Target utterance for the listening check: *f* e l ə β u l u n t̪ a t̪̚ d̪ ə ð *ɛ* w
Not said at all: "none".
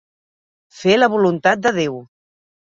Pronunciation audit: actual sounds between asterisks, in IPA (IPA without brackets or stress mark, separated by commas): f, e